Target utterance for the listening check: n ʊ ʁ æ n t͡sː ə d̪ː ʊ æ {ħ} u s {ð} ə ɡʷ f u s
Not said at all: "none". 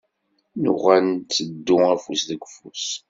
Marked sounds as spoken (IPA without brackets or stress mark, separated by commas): f, ð